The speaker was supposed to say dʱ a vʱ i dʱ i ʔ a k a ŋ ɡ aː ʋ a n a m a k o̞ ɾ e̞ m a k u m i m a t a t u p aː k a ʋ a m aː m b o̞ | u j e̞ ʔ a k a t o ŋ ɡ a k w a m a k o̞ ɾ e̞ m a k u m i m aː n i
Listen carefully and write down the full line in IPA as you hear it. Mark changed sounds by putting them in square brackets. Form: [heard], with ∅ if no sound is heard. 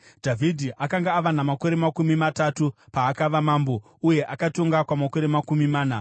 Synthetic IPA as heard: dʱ a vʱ i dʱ i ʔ a k a ŋ ɡ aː ʋ a n a m a k o̞ ɾ e̞ m a k u m i m a t a t u p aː k a ʋ a m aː m b o̞ | u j e̞ ʔ a k a t o ŋ ɡ a k w a m a k o̞ ɾ e̞ m a k u m i m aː n [a]